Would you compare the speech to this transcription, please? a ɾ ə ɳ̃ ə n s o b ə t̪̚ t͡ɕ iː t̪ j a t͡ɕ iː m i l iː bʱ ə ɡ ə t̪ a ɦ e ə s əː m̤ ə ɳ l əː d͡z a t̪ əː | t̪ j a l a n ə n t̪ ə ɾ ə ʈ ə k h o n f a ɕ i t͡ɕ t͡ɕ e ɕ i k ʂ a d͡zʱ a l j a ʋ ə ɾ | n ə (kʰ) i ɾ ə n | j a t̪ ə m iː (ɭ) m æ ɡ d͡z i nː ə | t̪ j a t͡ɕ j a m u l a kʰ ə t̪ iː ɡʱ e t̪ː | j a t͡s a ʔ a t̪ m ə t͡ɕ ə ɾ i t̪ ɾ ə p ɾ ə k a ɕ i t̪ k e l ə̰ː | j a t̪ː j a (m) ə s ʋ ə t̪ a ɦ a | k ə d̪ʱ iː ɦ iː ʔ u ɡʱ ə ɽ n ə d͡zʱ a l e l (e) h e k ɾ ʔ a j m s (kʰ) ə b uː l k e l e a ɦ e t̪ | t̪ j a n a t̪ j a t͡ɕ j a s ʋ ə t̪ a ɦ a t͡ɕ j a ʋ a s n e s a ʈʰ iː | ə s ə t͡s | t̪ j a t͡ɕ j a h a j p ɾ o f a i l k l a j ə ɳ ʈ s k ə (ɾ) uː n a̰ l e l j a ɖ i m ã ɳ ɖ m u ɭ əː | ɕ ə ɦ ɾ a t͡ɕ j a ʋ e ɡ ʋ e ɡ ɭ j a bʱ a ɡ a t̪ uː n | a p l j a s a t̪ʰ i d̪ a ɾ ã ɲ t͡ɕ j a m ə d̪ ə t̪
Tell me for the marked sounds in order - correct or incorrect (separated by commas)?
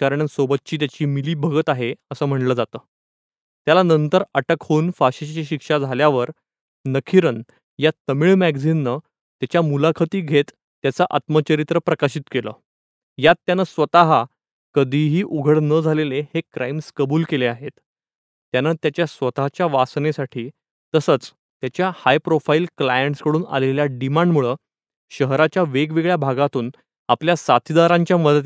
correct, correct, incorrect, correct, incorrect, incorrect